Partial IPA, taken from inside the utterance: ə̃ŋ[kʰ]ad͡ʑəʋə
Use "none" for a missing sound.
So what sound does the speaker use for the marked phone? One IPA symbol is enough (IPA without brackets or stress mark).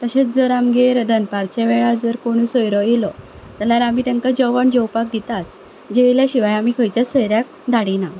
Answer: k